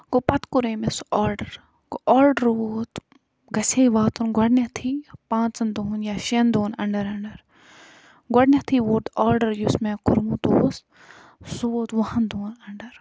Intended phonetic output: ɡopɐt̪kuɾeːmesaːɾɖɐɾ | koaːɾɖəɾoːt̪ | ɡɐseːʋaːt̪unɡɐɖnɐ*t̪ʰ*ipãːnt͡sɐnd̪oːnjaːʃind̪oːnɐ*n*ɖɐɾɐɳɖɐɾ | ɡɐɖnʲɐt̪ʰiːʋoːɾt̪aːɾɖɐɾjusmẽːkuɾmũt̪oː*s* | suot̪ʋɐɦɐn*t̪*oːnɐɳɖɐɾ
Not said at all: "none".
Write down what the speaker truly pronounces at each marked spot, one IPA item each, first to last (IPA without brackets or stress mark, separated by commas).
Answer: t̪ʰ, ɳ, s, d̪